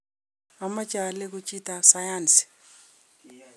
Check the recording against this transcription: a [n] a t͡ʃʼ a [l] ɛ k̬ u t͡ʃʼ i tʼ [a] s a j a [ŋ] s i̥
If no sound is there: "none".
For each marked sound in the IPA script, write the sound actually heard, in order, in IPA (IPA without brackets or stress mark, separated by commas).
m, l, a, n